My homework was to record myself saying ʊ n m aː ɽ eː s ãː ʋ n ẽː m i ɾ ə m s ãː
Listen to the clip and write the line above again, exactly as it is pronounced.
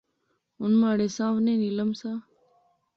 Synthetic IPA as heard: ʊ n m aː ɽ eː s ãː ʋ n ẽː n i l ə m s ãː